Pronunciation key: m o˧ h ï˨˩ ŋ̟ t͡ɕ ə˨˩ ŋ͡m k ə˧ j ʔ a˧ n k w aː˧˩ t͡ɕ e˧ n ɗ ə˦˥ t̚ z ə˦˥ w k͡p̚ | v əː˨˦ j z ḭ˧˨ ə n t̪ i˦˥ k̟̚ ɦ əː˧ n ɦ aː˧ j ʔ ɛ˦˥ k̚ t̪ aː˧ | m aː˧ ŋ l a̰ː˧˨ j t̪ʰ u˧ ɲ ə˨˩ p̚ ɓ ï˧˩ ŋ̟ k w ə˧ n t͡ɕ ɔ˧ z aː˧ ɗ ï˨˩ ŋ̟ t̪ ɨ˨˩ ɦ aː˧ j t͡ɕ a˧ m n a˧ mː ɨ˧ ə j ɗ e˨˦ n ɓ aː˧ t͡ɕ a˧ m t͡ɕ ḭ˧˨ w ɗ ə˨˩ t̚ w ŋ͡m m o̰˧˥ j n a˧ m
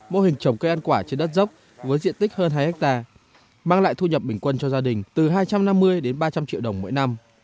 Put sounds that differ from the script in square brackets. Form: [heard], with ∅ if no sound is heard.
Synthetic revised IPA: m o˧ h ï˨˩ ŋ̟ t͡ɕ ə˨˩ ŋ͡m k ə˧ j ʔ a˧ n k w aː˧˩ t͡ɕ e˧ n ɗ ə˦˥ t̚ z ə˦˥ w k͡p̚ | v əː˨˦ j z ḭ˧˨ ə n t̪ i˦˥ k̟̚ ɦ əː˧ n ɦ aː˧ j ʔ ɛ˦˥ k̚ t̪ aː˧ | m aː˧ ŋ l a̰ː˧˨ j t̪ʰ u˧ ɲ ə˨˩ p̚ ɓ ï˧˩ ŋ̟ k w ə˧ n t͡ɕ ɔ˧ z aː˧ ɗ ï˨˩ ŋ̟ t̪ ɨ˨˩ ɦ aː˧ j t͡ɕ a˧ m n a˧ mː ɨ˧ ə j ɗ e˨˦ n ɓ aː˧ t͡ɕ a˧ m t͡ɕ ḭ˧˨ w ɗ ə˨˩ [∅] w ŋ͡m m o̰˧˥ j n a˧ m